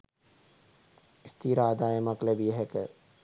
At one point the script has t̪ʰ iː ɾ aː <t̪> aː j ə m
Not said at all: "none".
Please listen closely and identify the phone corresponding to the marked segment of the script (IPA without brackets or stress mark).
d̪